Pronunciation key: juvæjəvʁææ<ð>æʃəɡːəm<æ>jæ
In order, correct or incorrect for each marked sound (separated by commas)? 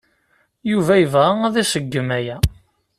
correct, correct